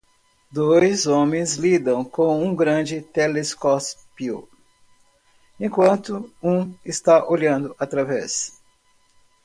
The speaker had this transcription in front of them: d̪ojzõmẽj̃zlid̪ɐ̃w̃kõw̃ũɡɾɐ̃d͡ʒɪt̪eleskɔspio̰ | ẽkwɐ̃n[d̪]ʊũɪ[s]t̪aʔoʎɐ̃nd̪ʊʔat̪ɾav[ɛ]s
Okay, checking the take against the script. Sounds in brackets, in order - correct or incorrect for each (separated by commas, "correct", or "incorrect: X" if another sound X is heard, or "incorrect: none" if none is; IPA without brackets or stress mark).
incorrect: t̪, correct, correct